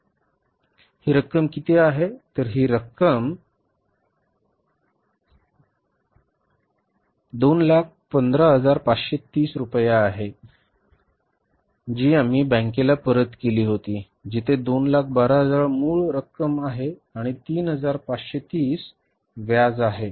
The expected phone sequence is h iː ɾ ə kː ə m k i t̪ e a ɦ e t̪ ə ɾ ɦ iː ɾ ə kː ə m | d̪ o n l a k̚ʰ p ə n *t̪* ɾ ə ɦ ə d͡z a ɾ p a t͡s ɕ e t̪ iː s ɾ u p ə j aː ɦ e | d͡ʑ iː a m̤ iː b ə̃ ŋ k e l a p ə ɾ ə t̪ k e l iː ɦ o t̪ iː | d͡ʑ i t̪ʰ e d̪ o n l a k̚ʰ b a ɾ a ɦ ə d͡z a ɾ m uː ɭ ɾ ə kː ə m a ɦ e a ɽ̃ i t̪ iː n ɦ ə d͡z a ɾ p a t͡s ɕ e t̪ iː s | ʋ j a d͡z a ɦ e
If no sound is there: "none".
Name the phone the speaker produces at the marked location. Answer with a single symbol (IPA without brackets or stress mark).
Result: d̪